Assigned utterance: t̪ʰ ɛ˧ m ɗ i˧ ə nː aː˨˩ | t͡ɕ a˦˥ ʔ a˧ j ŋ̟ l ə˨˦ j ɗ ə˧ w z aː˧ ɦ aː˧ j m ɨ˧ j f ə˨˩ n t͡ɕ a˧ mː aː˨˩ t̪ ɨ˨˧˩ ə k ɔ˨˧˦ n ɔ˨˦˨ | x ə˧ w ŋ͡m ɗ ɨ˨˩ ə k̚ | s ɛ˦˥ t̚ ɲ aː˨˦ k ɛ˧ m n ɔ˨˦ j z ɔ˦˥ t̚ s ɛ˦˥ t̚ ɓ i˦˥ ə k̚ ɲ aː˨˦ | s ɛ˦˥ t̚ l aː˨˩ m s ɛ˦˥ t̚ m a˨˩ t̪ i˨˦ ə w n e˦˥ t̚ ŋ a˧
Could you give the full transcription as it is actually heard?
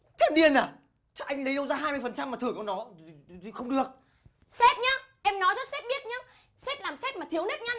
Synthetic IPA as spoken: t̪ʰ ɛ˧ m ɗ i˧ ə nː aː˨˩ | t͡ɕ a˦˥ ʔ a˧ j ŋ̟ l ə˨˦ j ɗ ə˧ w z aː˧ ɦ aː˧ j m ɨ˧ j f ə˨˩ n t͡ɕ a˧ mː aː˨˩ t̪ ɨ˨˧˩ ə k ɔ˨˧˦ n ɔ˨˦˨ | x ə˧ w ŋ͡m ɗ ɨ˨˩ ə k̚ | s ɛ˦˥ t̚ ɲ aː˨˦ ʔ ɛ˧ m n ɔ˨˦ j z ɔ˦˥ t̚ s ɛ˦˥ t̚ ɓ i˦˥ ə t̚ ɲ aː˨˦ | s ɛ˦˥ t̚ l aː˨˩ m s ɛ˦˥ t̚ m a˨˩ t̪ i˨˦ ə w n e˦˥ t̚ ɲ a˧